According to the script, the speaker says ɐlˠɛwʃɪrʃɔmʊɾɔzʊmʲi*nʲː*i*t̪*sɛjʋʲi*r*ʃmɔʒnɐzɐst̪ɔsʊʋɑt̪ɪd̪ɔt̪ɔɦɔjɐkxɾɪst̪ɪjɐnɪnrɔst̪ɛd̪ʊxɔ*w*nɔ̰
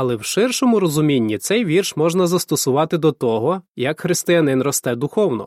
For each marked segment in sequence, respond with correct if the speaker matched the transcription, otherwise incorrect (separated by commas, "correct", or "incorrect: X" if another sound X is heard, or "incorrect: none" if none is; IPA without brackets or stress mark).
correct, correct, correct, correct